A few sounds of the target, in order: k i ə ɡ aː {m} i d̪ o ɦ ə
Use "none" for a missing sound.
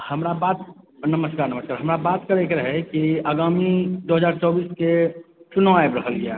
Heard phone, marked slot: m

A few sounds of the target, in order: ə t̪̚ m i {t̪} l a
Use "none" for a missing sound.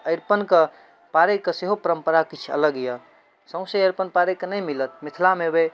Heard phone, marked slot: t̪ʰ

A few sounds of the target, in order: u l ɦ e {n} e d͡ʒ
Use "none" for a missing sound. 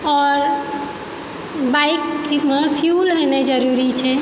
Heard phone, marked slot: n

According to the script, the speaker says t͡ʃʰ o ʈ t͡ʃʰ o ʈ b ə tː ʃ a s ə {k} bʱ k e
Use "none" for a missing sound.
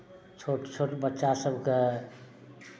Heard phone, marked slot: none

